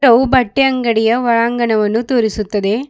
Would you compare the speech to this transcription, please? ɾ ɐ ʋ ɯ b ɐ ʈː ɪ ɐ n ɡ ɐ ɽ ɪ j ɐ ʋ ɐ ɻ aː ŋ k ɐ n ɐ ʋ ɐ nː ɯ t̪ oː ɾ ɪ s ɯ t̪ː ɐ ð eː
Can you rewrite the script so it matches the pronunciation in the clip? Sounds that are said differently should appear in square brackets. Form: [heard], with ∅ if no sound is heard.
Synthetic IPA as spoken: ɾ ɐ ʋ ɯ b ɐ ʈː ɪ ɐ [ŋ] ɡ ɐ ɽ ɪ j ɐ ʋ ɐ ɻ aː ŋ [ɡ] ɐ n ɐ ʋ ɐ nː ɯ t̪ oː ɾ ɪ s ɯ t̪ː ɐ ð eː